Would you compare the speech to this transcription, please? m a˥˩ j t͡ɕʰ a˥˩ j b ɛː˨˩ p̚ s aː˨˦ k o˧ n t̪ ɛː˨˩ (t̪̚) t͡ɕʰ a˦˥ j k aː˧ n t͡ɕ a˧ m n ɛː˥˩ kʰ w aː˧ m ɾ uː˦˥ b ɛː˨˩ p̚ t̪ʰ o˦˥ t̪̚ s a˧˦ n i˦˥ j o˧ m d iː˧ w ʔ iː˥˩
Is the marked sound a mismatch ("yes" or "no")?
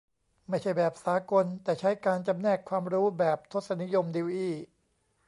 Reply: yes